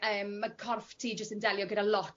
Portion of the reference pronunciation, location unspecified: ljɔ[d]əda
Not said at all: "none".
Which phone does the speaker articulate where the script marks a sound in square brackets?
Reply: ɡ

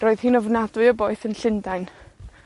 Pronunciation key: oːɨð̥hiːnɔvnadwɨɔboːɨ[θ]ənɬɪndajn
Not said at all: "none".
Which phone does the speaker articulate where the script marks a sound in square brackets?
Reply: θ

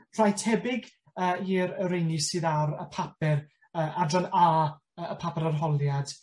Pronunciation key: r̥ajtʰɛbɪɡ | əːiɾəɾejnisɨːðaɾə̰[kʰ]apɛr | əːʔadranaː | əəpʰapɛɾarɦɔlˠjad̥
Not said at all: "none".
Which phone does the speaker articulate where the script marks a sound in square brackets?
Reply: pʰ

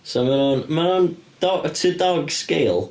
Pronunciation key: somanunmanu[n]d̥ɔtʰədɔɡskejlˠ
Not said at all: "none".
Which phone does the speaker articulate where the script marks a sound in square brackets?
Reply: n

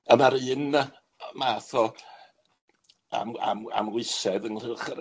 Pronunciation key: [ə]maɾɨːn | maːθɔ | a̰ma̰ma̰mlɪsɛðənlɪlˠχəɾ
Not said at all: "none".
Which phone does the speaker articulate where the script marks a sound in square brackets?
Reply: ə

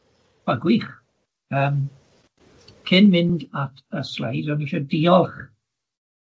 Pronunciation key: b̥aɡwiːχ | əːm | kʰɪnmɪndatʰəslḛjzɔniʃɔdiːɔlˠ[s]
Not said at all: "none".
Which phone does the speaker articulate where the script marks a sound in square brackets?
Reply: χ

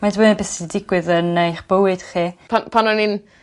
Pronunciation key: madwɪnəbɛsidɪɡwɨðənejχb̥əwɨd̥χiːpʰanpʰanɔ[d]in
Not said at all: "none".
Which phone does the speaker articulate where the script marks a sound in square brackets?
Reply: n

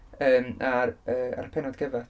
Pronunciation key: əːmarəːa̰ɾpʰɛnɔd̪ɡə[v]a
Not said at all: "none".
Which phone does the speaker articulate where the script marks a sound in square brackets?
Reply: v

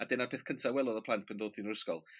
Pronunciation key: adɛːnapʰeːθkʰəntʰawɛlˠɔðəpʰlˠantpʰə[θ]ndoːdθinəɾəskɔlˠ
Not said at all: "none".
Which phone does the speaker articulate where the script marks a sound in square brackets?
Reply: none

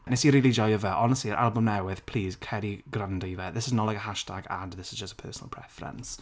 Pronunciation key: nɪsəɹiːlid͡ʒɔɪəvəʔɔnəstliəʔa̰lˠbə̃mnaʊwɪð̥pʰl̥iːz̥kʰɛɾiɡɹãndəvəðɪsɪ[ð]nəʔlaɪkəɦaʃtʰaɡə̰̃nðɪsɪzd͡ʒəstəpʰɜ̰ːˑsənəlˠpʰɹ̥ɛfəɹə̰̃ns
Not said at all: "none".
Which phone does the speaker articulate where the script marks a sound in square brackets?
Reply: z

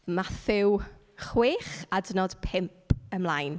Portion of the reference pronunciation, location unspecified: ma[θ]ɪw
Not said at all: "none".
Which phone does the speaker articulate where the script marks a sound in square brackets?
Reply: θ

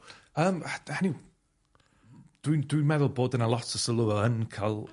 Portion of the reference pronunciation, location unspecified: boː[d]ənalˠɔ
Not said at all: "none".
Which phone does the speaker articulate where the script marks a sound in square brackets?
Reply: d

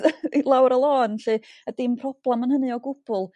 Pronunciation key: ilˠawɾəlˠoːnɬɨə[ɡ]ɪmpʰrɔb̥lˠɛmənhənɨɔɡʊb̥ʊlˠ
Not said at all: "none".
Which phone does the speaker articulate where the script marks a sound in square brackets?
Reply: d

